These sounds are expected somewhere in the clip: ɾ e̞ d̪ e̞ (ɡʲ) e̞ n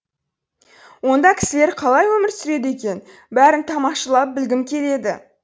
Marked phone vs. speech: incorrect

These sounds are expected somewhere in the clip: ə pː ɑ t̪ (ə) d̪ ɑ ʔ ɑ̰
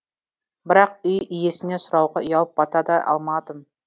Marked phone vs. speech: incorrect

